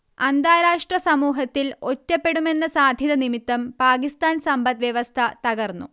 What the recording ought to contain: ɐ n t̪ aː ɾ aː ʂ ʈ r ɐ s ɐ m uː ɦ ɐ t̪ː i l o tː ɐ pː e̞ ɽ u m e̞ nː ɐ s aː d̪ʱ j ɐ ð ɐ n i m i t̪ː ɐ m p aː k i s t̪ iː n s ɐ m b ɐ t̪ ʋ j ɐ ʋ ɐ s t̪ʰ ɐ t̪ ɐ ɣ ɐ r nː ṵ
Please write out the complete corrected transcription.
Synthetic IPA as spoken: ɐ n d̪ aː ɾ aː ʂ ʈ r ɐ s ɐ m uː ɦ ɐ t̪ː i l o tː ɐ pː e̞ ɽ u m e̞ nː ɐ s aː d̪ʱ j ɐ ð ɐ n i m i t̪ː ɐ m p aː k i s t̪ aː n s ɐ m b ɐ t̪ ʋ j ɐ ʋ ɐ s t̪ʰ ɐ t̪ ɐ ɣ ɐ r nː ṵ